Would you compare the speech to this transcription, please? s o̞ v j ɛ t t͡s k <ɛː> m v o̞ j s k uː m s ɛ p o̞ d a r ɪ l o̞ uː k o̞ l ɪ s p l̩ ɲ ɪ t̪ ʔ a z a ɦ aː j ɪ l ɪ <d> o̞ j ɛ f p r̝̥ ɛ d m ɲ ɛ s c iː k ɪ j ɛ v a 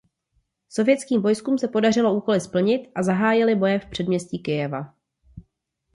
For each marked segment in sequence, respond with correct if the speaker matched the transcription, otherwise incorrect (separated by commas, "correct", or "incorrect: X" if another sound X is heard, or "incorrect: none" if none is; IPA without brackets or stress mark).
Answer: incorrect: iː, incorrect: b